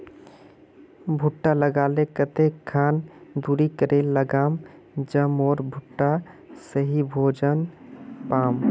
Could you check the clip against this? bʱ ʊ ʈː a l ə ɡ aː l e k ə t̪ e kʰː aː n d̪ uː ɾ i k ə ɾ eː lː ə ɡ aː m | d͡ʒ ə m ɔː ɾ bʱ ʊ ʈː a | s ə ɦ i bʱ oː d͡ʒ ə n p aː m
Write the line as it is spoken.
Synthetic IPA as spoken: bʱ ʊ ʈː a l ə ɡ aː l e k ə t̪ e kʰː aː n d̪ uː ɾ i k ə ɾ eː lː ə ɡ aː m | d͡ʒ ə m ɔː ɾ bʱ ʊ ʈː a | s ə ɦ i bʱ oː d͡ʒ ə n p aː m